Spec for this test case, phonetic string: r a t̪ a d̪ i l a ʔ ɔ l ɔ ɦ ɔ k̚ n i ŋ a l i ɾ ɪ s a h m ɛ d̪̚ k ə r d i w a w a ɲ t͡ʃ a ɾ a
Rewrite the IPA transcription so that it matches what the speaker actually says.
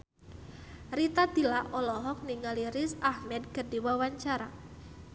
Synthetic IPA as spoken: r i t̪ a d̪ i l a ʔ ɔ l ɔ ɦ ɔ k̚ n i ŋ a l i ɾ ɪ s a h m ɛ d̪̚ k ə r d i w a w a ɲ t͡ʃ a ɾ a